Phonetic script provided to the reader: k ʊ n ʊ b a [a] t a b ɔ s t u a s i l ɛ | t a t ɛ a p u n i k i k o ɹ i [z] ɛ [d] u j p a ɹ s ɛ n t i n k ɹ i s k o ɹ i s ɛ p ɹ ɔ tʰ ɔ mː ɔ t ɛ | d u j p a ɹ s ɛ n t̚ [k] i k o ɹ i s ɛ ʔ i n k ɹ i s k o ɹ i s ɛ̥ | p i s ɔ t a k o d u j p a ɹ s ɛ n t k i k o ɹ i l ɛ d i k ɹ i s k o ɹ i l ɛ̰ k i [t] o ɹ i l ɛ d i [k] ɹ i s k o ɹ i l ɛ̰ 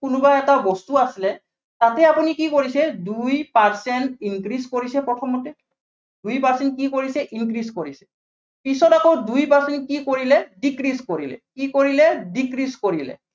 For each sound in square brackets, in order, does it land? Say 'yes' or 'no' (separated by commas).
no, no, yes, yes, no, yes